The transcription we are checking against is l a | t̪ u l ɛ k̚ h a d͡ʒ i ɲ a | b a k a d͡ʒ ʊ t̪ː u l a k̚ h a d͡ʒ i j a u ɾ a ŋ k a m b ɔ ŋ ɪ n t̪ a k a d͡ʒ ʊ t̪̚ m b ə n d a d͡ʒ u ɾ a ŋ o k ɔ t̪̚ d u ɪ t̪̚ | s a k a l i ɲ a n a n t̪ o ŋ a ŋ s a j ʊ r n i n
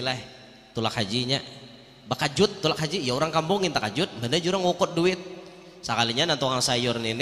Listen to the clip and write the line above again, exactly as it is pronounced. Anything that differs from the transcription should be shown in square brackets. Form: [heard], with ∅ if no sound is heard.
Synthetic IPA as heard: l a | t̪ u l [a] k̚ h a d͡ʒ i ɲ a | b a k a d͡ʒ ʊ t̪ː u l a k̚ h a d͡ʒ i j a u ɾ a ŋ k a m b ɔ ŋ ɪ n t̪ a k a d͡ʒ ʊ t̪̚ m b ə n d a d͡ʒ u ɾ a ŋ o k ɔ t̪̚ d u ɪ t̪̚ | s a k a l i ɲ a n a n t̪ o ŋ a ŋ s a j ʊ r n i n